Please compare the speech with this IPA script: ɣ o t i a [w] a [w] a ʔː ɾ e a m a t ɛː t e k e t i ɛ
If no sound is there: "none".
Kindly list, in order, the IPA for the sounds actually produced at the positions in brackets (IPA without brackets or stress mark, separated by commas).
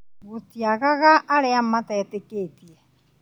ɣ, ɣ